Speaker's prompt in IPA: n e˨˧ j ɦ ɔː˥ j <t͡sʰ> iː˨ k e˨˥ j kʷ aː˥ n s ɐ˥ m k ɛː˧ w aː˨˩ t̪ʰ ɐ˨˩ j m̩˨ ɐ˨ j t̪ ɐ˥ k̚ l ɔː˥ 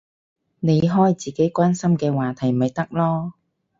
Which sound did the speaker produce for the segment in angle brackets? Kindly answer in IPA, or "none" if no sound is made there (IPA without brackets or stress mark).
t͡s